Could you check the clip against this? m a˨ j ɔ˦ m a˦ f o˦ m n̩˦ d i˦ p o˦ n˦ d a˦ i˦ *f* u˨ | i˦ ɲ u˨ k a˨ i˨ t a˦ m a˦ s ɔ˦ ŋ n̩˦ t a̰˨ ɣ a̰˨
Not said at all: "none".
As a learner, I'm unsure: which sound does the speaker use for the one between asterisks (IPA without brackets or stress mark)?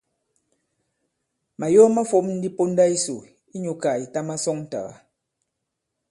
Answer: s